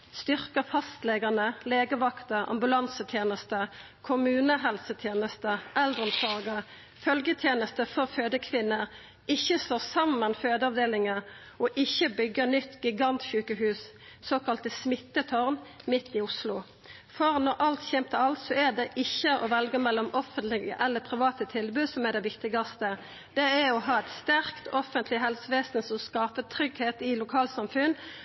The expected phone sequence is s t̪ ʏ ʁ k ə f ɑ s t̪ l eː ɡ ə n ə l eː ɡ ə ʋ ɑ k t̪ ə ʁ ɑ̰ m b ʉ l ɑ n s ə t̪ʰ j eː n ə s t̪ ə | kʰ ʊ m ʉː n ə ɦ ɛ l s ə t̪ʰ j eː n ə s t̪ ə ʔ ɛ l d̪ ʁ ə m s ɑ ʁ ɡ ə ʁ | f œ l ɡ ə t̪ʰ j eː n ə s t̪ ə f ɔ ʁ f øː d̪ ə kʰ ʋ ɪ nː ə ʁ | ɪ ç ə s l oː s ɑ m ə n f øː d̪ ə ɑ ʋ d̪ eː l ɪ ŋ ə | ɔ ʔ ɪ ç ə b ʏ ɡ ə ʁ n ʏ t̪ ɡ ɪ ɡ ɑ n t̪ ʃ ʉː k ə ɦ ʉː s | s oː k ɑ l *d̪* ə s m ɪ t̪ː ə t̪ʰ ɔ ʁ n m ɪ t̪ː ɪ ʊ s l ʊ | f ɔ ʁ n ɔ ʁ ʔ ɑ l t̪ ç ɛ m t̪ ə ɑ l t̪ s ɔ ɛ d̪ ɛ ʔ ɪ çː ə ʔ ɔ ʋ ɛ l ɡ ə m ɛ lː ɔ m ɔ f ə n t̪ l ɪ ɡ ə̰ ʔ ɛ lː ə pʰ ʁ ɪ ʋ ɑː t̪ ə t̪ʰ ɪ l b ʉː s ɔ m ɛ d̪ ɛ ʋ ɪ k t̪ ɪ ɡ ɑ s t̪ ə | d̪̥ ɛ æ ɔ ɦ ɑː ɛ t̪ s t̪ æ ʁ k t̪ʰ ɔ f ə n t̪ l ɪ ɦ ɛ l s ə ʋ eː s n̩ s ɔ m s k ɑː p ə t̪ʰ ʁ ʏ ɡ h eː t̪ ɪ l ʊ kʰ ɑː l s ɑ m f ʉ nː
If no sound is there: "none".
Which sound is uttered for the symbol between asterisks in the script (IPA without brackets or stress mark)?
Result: t̪